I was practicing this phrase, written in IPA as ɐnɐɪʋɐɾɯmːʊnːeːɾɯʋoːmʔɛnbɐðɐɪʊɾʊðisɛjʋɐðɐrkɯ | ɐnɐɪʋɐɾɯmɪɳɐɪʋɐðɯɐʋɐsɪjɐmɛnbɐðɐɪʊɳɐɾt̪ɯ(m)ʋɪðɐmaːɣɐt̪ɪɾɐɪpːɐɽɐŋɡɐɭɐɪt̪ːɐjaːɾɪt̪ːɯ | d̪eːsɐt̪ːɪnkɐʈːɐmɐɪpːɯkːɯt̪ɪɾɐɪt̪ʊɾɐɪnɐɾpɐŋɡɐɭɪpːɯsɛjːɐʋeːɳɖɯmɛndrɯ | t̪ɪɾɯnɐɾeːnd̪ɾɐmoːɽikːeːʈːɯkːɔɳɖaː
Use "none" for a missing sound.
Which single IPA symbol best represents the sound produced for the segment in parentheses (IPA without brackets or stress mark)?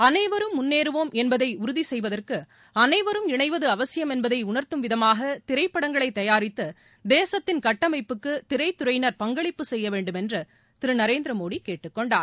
m